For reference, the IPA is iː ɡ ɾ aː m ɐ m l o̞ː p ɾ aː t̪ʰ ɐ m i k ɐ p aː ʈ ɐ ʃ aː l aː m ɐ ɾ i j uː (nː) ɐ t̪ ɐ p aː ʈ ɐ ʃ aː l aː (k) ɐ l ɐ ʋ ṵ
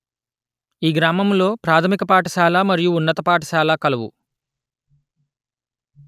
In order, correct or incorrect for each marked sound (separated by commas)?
correct, correct